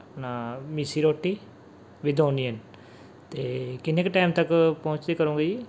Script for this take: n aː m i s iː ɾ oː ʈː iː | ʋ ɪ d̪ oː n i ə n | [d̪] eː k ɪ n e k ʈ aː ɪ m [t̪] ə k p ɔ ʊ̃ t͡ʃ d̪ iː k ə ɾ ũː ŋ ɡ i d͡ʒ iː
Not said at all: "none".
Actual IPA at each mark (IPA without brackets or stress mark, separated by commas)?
t̪, t̪